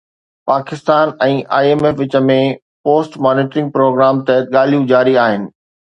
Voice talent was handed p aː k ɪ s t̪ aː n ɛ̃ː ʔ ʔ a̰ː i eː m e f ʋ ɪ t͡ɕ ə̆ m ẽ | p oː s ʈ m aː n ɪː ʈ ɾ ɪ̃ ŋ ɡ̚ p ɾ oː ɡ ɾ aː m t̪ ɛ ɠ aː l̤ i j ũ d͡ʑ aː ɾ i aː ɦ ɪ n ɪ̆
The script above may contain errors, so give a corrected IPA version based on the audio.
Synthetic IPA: p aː k ɪ s t̪ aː n ɛ̃ː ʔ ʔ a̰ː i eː m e f ʋ ɪ t͡ɕ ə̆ m ẽ | p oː s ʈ m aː n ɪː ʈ ɾ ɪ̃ ŋ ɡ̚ p ɾ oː ɡ ɾ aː m t̪ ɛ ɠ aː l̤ i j ũ d͡ʑ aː ɾ i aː ɦ ɪ n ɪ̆

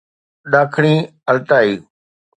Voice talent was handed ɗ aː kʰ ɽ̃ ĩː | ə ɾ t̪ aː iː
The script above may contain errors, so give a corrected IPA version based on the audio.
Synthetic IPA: ɗ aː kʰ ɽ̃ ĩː | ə l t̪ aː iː

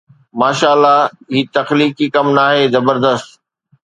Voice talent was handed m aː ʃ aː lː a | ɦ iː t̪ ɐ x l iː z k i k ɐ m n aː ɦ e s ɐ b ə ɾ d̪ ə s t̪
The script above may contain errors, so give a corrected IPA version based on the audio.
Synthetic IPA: m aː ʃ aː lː a | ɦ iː t̪ ɐ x l iː k i k ɐ m n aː ɦ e z ɐ b ə ɾ d̪ ə s t̪

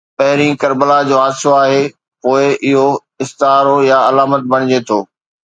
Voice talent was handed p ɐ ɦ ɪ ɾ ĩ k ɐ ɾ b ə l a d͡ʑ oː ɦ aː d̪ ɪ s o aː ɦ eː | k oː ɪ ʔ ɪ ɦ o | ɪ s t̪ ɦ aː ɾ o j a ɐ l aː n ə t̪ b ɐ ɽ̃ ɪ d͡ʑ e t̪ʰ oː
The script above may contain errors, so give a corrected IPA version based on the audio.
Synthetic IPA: p ɐ ɦ ɪ ɾ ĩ k ɐ ɾ b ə l a d͡ʑ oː ɦ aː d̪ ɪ s o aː ɦ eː | p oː ɪ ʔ ɪ ɦ o | ɪ s t̪ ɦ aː ɾ o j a ɐ l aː m ə t̪ b ɐ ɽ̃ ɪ d͡ʑ e t̪ʰ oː

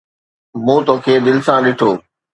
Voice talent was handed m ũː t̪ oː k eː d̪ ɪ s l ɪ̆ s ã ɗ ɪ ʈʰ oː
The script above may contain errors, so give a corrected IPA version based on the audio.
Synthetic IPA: m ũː t̪ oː kʰ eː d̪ ɪ l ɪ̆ s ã ɗ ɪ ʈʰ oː

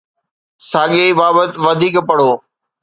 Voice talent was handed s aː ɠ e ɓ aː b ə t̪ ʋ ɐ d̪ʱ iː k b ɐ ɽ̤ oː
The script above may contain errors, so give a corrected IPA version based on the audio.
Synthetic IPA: s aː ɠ e b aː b ə t̪ ʋ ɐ d̪ʱ iː k p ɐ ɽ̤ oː

